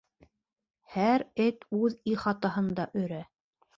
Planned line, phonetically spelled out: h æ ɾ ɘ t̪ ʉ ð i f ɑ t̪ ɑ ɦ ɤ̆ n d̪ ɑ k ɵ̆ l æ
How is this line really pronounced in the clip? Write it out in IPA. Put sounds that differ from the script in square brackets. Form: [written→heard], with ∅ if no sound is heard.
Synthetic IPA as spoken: h æ ɾ ɘ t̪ ʉ ð i [f→χ] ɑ t̪ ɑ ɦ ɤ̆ n d̪ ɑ [k→ʔ] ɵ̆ [l→ɾ] æ